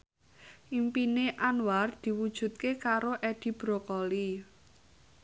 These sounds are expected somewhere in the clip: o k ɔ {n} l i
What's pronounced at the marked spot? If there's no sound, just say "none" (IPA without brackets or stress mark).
none